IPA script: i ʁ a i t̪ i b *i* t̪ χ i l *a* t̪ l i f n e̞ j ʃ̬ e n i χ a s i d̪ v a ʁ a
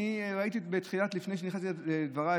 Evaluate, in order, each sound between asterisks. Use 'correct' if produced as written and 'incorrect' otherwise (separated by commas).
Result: incorrect, correct